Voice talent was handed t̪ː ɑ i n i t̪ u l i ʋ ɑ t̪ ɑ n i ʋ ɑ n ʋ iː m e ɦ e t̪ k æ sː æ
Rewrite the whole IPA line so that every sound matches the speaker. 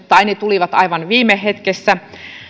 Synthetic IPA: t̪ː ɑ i n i t̪ u l i ʋ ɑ t̪ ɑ i ʋ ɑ n ʋ iː m e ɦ e t̪ k e sː æ